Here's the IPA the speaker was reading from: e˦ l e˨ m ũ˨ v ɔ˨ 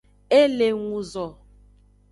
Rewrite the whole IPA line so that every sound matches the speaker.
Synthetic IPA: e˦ l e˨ ŋ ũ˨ z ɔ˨